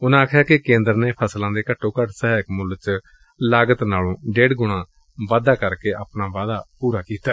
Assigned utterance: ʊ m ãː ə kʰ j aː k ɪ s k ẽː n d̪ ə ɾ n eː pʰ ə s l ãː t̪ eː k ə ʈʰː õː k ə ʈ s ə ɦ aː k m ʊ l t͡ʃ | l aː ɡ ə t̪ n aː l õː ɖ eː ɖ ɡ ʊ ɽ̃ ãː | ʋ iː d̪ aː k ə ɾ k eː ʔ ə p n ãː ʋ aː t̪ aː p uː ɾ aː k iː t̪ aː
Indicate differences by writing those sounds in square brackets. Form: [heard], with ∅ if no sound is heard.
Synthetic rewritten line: ʊ [n] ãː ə kʰ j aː k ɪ [∅] k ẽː n d̪ ə ɾ n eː pʰ ə s l ãː [d̪] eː k ə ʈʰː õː k ə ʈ s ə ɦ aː k m ʊ l t͡ʃ | l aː ɡ ə t̪ n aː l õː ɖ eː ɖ ɡ ʊ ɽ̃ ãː | ʋ [aː] d̪ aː k ə ɾ k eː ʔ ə p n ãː ʋ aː [d̪] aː p uː ɾ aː k iː t̪ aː